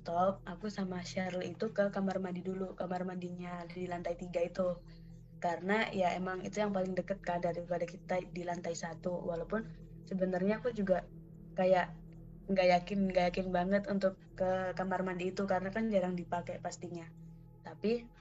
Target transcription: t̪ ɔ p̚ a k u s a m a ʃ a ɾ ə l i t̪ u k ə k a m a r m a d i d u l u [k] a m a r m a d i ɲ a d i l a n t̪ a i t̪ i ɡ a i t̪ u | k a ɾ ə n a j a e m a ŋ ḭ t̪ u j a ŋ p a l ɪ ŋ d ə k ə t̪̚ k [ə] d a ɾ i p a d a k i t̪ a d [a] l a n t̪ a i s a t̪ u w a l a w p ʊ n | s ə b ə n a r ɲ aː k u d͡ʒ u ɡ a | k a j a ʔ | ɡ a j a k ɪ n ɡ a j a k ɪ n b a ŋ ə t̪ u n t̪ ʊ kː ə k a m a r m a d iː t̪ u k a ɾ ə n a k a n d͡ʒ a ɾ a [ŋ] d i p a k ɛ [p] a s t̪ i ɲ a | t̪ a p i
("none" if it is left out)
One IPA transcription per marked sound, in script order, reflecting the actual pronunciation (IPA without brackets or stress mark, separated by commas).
k, a, i, ŋ, p